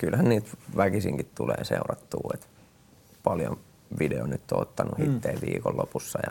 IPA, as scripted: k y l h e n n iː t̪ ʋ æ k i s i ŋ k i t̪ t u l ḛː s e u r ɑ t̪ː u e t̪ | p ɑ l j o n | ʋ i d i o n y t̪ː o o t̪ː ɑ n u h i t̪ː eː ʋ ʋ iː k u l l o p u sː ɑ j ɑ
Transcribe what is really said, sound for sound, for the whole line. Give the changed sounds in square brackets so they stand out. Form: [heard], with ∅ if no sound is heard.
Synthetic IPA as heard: k y l h [æ] n n iː t̪ ʋ æ k i s i ŋ k i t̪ t u l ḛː s e u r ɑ t̪ː [uː] e t̪ | p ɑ l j o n | ʋ i d [e] o n y t̪ː o o t̪ː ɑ n u h i t̪ː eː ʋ ʋ iː k [o] l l o p u sː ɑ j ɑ